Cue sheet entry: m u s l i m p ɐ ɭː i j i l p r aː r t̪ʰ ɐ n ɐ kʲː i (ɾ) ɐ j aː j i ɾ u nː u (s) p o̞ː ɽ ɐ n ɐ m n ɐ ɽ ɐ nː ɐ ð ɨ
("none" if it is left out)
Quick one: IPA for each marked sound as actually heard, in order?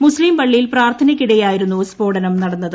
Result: ɽ, s

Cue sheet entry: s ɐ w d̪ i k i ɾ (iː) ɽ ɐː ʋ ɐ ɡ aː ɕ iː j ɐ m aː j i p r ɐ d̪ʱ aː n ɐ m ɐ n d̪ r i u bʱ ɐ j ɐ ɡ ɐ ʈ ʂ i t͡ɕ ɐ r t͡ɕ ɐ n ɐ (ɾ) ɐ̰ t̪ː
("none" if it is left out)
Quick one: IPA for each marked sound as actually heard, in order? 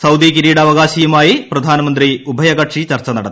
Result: iː, ɽ

